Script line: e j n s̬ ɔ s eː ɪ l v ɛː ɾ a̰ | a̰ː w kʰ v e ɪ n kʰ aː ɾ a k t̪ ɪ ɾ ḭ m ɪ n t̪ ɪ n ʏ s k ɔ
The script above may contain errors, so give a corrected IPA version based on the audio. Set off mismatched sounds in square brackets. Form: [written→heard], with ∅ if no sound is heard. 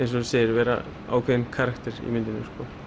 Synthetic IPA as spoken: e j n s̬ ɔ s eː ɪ [l→ɾ] v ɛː ɾ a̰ | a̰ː w kʰ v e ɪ n kʰ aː ɾ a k t̪ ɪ ɾ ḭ m ɪ n t̪ ɪ n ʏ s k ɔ